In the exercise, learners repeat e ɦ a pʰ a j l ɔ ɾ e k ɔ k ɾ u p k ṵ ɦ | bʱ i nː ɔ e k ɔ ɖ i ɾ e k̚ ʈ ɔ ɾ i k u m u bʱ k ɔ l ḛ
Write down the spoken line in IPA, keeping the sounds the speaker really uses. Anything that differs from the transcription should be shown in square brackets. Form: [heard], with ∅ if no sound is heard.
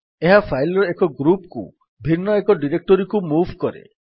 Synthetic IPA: e ɦ a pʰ a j l ɔ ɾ e k ɔ [ɡ] ɾ u p k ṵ [∅] | bʱ i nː ɔ e k ɔ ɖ i ɾ e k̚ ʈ ɔ ɾ i k u m u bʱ k ɔ [ɾ] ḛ